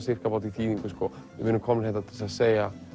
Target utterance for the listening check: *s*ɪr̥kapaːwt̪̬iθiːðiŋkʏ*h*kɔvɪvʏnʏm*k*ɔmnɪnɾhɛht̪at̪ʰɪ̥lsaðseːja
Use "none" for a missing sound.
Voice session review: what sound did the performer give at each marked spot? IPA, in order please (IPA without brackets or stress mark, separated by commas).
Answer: s, s, kʰ